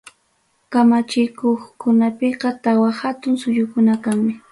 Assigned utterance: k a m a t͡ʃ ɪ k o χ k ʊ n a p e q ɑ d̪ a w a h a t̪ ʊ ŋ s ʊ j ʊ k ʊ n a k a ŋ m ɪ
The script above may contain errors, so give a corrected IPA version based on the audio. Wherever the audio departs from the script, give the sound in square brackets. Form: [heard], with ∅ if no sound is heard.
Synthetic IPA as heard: k a m a t͡ʃ ɪ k o χ k ʊ n a p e q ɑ [t̪] a w a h a t̪ ʊ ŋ s ʊ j ʊ k ʊ n a k a ŋ m ɪ